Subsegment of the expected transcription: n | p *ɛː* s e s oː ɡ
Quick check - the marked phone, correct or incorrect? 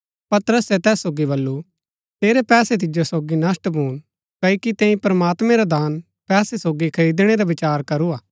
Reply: correct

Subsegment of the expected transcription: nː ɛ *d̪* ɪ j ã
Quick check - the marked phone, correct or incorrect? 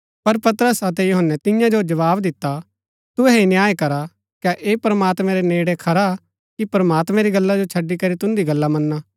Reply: incorrect: t̪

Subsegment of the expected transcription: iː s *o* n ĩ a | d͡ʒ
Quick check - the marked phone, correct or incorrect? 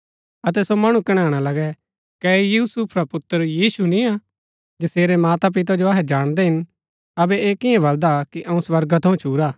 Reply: incorrect: u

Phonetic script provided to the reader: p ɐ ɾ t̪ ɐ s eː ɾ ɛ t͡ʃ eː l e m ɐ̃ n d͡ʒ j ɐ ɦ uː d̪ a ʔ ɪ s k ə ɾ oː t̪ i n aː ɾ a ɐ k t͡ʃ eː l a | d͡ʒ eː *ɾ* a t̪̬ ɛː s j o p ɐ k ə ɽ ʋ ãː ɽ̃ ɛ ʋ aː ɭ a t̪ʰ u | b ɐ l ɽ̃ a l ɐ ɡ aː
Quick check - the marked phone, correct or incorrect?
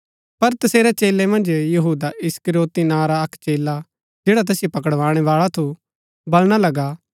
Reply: incorrect: ɽ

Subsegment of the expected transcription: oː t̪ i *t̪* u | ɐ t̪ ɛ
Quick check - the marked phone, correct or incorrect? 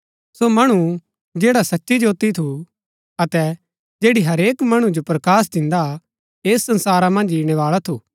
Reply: incorrect: t̪ʰ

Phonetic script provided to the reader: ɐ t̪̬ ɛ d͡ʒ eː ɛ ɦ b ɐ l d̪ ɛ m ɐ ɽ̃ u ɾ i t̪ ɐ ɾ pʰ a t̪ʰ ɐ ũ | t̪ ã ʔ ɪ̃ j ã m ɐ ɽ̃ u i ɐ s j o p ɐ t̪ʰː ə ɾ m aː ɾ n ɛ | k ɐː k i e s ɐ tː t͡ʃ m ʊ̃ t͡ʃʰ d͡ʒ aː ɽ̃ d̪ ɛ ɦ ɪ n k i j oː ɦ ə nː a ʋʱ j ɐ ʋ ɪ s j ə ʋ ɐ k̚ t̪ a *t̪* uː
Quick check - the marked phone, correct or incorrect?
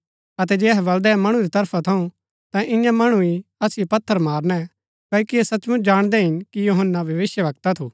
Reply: incorrect: t̪ʰ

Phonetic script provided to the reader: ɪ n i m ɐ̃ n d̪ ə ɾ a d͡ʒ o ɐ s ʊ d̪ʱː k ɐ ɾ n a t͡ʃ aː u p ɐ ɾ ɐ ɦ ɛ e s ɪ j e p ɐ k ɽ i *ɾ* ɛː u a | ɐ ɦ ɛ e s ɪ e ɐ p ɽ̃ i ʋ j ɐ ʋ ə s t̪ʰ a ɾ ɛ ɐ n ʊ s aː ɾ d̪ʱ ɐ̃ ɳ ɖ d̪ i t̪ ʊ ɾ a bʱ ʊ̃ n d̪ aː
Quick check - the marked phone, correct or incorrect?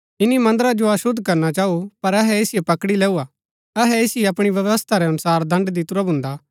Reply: incorrect: l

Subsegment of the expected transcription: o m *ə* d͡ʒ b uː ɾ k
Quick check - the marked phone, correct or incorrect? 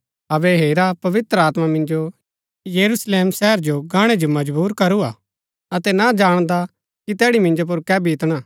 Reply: incorrect: ɐ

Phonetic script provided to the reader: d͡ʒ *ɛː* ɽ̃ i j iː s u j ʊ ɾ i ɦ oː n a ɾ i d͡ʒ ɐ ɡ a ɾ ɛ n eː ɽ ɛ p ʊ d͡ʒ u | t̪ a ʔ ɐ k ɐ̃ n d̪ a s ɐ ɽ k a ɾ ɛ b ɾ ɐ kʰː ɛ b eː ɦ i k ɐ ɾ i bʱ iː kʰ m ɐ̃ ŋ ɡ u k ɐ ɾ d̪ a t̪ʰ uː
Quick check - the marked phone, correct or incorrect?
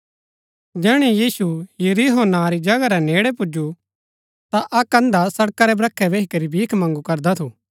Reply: correct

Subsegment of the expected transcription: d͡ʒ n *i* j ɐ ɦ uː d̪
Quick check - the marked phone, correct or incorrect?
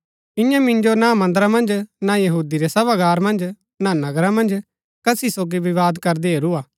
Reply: incorrect: a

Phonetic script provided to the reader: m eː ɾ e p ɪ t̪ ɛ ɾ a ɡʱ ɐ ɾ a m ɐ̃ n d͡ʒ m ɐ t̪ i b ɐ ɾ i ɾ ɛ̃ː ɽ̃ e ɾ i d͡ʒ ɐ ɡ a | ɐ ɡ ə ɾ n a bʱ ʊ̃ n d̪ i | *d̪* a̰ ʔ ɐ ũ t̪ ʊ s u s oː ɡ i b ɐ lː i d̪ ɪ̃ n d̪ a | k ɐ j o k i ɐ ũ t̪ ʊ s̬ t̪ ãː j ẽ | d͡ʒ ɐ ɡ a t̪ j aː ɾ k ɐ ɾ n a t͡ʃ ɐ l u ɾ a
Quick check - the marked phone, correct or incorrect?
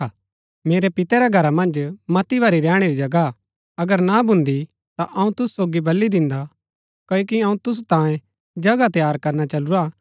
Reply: incorrect: t̪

